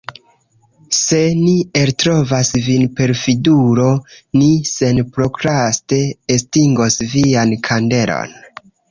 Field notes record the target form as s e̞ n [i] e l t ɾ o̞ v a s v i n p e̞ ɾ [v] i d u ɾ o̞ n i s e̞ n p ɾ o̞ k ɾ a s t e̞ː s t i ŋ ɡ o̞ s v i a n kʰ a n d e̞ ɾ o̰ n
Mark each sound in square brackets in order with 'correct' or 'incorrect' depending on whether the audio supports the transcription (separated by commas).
correct, incorrect